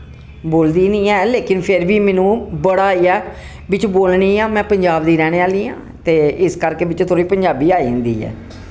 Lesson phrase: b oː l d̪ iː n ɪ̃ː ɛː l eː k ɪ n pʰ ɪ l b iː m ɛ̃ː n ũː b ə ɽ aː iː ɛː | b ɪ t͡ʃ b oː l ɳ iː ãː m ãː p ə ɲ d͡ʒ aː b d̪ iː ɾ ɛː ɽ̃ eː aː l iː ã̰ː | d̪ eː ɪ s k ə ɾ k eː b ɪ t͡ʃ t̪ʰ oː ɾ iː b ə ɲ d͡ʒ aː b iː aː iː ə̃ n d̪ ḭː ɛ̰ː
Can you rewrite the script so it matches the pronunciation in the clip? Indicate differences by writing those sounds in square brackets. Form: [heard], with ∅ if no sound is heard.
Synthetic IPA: b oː l d̪ iː n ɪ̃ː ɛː l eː k ɪ n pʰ ɪ [ɾ] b iː m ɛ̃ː n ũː b ə ɽ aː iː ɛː | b ɪ t͡ʃ b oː l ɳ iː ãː m [ɛ̃ː] p ə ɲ d͡ʒ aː b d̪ iː ɾ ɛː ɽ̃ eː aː l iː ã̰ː | [t̪] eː ɪ s k ə ɾ k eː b ɪ t͡ʃ t̪ʰ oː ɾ iː [p] ə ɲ d͡ʒ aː b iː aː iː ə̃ n d̪ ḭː ɛ̰ː

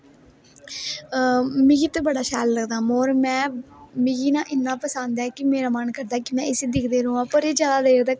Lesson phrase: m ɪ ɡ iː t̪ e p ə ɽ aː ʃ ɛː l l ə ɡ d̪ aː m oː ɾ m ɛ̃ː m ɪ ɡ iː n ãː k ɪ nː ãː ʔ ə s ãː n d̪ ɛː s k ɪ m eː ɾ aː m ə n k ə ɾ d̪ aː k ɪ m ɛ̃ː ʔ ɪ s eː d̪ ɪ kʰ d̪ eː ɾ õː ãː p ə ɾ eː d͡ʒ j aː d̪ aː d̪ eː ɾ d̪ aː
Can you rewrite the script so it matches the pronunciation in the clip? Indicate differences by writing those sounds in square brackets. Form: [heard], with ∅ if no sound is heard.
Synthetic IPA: m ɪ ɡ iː t̪ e [b] ə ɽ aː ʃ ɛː l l ə ɡ d̪ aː m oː ɾ m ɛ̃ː m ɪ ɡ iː n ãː [ʔ] ɪ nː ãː [p] ə s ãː n d̪ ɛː [∅] k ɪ m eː ɾ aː m ə n k ə ɾ d̪ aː k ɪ m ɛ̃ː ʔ ɪ s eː d̪ ɪ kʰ d̪ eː ɾ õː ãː p ə ɾ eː d͡ʒ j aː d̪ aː d̪ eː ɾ d̪ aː

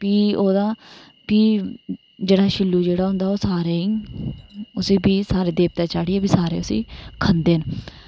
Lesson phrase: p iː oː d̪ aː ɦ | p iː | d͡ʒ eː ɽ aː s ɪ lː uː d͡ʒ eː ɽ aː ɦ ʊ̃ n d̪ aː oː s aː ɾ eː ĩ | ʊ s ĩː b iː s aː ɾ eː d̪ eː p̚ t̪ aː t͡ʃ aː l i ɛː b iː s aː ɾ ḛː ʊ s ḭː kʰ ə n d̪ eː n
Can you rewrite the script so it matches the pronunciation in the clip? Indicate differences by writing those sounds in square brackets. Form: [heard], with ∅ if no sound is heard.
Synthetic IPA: p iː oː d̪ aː [∅] | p iː | d͡ʒ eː ɽ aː [ʃ] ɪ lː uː d͡ʒ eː ɽ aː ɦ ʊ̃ n d̪ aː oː s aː ɾ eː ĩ | ʊ s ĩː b iː s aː ɾ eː d̪ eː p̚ t̪ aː t͡ʃ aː [ɽ] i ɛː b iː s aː ɾ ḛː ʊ s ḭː kʰ ə n d̪ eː n

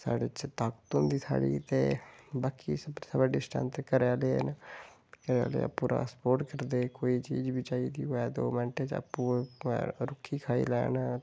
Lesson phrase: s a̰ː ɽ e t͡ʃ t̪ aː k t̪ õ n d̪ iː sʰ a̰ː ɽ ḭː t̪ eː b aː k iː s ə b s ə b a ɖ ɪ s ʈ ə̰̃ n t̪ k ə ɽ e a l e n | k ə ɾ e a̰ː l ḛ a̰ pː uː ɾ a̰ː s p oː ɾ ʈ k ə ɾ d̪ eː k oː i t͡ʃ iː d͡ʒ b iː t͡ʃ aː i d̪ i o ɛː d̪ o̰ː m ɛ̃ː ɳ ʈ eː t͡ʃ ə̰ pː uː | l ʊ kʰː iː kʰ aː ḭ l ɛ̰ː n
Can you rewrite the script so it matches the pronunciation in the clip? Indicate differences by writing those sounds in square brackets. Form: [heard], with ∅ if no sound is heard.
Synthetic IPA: s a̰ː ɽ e t͡ʃ t̪ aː k t̪ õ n d̪ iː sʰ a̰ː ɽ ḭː t̪ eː b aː k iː s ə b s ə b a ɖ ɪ s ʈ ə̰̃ n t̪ k ə [ɾ] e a l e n | k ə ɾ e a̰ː l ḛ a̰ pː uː ɾ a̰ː s p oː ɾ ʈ k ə ɾ d̪ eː k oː i t͡ʃ iː d͡ʒ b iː t͡ʃ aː i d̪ i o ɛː d̪ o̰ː m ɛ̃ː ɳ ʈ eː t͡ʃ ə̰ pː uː | [ɾ] ʊ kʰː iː kʰ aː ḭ l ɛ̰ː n

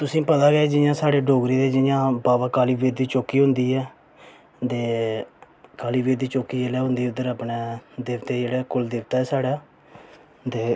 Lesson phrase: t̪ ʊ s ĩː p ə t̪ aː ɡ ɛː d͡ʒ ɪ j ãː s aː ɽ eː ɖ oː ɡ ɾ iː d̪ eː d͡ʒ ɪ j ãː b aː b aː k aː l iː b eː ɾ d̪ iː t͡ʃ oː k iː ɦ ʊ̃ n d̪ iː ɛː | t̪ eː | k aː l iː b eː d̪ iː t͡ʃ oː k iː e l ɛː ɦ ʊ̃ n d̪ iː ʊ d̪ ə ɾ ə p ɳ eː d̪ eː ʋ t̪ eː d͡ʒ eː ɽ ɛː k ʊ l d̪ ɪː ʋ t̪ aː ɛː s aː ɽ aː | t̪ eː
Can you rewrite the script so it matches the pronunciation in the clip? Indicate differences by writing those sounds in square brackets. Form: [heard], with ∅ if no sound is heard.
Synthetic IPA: t̪ ʊ s ĩː p ə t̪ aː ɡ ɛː d͡ʒ ɪ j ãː s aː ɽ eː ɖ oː ɡ ɾ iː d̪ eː d͡ʒ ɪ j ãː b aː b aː k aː l iː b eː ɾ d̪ iː t͡ʃ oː k iː ɦ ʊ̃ n d̪ iː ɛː | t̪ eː | k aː l iː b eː d̪ iː t͡ʃ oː k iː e l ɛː ɦ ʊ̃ n d̪ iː ʊ d̪ ə ɾ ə p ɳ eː d̪ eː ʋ t̪ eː d͡ʒ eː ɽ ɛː k ʊ l d̪ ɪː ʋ t̪ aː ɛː s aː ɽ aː | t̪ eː

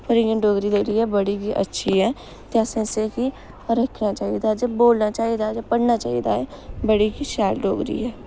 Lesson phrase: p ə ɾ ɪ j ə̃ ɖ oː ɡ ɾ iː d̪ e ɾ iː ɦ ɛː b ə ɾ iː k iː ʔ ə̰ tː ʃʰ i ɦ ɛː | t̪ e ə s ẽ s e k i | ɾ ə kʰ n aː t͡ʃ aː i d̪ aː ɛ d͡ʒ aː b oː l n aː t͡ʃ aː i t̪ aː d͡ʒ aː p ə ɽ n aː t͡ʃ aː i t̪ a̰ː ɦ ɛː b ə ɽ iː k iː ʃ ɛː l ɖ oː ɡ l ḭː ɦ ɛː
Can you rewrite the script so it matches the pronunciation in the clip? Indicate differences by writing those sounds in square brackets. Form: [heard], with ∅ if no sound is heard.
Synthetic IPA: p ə ɾ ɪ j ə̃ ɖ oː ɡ ɾ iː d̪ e ɾ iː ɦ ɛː b ə [ɽ] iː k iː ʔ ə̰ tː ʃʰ i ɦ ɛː | t̪ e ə s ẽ s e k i | ɾ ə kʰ n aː t͡ʃ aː i d̪ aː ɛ d͡ʒ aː b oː l n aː t͡ʃ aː i [d̪] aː d͡ʒ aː p ə ɽ n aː t͡ʃ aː i [d̪] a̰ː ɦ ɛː b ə ɽ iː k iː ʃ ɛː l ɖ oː ɡ [ɾ] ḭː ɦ ɛː

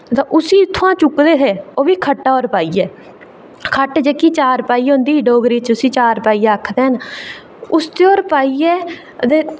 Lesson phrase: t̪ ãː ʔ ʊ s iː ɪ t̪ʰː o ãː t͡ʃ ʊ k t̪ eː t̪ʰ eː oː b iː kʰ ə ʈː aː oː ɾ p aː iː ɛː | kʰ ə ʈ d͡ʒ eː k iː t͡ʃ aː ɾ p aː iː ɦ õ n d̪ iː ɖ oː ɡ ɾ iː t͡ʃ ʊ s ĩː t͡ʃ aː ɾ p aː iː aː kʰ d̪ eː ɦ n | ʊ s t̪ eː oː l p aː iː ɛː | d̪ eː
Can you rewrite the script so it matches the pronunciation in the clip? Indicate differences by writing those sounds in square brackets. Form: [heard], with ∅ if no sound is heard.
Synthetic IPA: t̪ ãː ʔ ʊ s iː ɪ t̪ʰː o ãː t͡ʃ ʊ k [d̪] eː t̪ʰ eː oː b iː kʰ ə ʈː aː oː ɾ p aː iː ɛː | kʰ ə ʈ d͡ʒ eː k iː t͡ʃ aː ɾ p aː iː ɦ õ n d̪ iː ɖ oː ɡ ɾ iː t͡ʃ ʊ s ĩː t͡ʃ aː ɾ p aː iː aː kʰ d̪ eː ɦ n | ʊ s t̪ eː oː [ɾ] p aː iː ɛː | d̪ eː

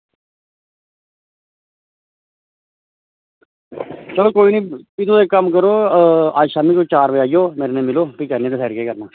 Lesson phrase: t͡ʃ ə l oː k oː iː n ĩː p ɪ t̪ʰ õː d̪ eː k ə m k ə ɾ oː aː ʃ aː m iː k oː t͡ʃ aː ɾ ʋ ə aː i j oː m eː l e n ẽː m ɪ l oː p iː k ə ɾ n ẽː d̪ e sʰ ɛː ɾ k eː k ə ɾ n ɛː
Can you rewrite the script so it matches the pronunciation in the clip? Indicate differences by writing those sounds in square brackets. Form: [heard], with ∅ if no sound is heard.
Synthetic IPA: t͡ʃ ə l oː k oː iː n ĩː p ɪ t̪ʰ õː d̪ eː k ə m k ə ɾ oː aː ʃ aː m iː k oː t͡ʃ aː ɾ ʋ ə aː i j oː m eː [ɾ] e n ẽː m ɪ l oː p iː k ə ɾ n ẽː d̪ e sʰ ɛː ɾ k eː k ə ɾ n [aː]

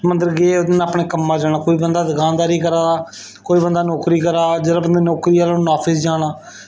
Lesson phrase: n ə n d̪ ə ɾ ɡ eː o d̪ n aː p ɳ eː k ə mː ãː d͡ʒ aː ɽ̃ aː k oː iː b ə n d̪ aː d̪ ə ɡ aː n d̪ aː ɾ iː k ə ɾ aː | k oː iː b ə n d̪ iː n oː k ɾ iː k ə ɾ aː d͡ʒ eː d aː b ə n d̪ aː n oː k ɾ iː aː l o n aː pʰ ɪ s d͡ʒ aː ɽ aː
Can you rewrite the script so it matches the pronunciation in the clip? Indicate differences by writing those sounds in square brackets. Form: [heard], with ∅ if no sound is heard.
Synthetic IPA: [m] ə n d̪ ə ɾ ɡ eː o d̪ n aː p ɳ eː k ə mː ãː d͡ʒ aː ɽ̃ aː k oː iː b ə n d̪ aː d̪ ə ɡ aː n d̪ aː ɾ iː k ə ɾ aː | k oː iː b ə n d̪ [aː] n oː k ɾ iː k ə ɾ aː d͡ʒ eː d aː b ə n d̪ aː n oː k ɾ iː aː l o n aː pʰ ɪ s d͡ʒ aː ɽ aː

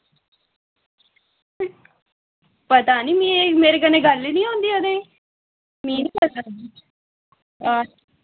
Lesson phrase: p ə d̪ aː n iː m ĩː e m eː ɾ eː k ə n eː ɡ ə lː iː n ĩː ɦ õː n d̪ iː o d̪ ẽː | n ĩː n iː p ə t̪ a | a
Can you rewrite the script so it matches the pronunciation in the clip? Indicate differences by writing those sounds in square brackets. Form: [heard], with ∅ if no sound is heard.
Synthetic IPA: p ə [t̪] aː n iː m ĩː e m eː ɾ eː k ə n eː ɡ ə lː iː n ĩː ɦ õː n d̪ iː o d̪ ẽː | [m] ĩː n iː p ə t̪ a | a

